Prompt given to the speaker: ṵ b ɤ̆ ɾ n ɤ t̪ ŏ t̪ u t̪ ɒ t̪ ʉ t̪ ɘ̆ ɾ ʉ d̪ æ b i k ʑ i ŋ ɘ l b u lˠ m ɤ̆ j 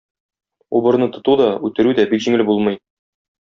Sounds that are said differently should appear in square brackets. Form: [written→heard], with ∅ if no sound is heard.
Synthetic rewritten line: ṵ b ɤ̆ ɾ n ɤ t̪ ŏ t̪ u [t̪→d̪] ɒ [t̪→∅] ʉ t̪ ɘ̆ ɾ ʉ d̪ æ b i k ʑ i ŋ ɘ l b u lˠ m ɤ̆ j